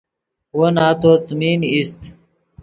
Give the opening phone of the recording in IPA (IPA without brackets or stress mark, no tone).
w